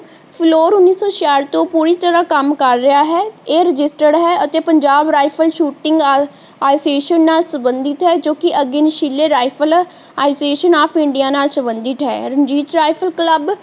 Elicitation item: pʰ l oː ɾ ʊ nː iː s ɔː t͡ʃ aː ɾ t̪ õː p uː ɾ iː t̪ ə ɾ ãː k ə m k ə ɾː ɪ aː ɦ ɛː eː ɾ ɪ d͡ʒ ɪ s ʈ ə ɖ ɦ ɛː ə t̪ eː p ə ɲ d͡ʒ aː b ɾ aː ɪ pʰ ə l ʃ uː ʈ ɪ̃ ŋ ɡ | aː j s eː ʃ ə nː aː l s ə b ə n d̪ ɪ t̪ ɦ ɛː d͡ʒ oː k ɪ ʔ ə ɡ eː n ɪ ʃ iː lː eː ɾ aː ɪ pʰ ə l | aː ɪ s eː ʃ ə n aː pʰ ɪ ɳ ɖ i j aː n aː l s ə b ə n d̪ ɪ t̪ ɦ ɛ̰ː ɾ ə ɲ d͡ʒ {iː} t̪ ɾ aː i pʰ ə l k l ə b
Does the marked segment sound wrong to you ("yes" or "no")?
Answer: no